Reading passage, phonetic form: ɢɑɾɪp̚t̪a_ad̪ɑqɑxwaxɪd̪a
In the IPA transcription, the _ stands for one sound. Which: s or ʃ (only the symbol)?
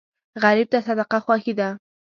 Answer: s